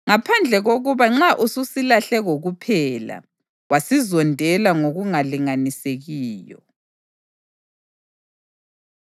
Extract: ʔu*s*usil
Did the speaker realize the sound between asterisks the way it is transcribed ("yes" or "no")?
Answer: yes